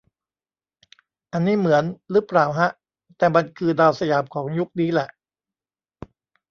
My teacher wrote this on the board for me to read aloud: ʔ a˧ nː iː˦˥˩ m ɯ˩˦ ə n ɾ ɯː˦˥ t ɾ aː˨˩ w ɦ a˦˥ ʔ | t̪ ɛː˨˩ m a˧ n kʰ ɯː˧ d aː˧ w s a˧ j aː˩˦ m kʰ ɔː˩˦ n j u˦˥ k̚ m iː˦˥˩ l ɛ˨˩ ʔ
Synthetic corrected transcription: ʔ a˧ nː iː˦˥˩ m ɯ˩˦ ə n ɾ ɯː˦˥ p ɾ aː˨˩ w ɦ a˦˥ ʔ | t̪ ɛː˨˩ m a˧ n kʰ ɯː˧ d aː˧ w s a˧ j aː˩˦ m kʰ ɔː˩˦ ŋ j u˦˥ k̚ n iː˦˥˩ l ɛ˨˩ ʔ